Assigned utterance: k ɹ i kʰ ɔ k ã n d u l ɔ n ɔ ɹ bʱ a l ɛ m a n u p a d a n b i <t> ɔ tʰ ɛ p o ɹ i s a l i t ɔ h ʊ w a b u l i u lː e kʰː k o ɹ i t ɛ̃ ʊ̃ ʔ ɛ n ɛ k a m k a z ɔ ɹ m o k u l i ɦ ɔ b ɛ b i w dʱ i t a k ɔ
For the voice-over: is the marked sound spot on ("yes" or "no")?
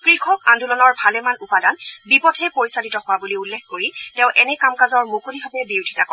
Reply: no